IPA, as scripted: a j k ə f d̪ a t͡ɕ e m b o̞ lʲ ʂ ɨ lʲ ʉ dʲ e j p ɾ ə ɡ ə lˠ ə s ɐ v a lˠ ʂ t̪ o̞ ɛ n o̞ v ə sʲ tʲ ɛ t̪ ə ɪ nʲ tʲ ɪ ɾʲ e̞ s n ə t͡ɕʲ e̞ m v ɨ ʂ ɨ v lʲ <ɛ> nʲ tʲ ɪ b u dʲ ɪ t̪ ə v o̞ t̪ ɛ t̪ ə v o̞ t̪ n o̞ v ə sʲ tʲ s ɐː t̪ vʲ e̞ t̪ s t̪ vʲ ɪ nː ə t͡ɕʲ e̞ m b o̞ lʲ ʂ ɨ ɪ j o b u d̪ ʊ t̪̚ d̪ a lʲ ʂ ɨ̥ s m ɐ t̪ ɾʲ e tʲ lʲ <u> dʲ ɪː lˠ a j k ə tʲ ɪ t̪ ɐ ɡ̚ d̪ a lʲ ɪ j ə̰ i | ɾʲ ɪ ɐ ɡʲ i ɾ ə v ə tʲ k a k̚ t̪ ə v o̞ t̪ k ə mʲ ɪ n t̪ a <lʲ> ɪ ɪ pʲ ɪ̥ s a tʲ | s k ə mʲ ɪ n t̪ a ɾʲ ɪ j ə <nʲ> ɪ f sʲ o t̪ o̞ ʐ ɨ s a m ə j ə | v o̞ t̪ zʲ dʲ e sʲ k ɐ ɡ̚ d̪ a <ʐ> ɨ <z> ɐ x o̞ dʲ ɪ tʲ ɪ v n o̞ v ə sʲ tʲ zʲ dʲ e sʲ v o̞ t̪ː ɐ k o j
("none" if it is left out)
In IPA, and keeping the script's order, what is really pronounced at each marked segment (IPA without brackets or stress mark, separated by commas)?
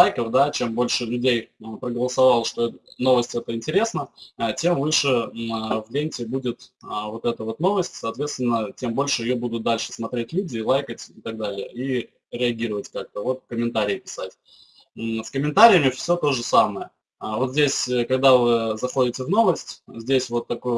e, u, ɾʲ, mʲ, v, z